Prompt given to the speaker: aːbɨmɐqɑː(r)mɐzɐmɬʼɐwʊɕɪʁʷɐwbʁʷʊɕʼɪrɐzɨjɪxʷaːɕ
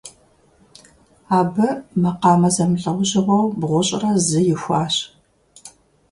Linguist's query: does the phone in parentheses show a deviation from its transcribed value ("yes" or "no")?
yes